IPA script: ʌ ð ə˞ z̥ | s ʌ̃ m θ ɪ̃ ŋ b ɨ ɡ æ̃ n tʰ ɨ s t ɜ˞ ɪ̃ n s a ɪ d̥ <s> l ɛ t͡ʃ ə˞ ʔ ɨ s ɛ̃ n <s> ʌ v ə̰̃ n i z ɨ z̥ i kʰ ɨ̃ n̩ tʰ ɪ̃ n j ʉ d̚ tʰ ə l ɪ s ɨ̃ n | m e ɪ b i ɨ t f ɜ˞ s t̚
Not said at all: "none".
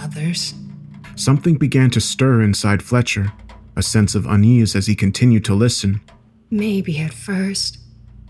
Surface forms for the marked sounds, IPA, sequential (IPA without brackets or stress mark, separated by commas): f, s